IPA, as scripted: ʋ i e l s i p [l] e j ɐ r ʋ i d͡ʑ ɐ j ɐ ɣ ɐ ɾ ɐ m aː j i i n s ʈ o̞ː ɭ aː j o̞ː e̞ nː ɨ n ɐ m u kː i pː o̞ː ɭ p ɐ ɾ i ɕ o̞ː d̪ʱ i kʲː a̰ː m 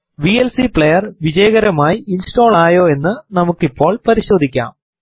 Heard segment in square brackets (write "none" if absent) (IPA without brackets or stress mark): ɭ